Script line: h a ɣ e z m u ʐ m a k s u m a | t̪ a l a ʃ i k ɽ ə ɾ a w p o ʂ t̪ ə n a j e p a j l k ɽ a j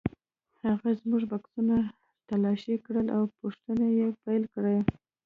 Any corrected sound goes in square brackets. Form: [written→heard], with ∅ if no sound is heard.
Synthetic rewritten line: h a ɣ [e→a] z m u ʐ [m→b] a k s u [m→n] a | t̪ a l [a→ɑ] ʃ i k ɽ ə [ɾ→l] a w p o ʂ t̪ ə n a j e p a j l k ɽ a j